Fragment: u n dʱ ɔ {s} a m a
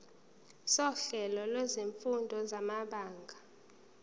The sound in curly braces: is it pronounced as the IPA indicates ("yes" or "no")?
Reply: no